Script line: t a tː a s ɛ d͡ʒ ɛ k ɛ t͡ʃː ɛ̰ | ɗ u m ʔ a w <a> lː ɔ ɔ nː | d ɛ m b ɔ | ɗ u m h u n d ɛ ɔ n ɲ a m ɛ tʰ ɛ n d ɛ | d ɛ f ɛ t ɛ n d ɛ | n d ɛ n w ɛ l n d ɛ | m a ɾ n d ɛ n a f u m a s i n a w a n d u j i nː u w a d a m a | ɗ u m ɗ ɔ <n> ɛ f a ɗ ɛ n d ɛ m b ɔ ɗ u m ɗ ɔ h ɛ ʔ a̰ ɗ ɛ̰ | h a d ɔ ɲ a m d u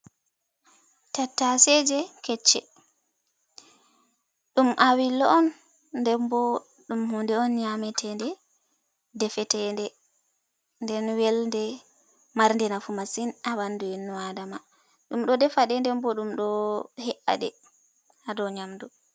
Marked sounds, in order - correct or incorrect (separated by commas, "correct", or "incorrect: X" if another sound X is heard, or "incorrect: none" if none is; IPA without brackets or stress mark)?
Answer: incorrect: i, incorrect: d